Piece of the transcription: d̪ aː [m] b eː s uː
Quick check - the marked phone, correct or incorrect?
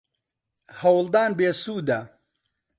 incorrect